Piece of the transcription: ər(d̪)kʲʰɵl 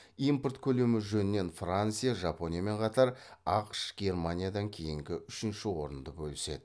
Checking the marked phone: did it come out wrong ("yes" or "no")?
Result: yes